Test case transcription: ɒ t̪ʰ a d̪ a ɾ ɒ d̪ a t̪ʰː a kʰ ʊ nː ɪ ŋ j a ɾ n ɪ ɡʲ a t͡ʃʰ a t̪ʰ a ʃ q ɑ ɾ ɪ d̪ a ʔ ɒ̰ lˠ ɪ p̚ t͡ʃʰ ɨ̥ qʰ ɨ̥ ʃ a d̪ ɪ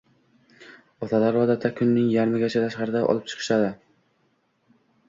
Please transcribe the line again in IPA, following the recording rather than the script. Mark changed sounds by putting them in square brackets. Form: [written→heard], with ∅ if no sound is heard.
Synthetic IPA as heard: ɒ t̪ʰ a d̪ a ɾ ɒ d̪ a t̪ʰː a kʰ ʊ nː ɪ ŋ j a ɾ [n→m] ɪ ɡʲ a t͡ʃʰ a t̪ʰ a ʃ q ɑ ɾ ɪ d̪ a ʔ ɒ̰ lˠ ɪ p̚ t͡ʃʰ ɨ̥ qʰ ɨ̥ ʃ a d̪ ɪ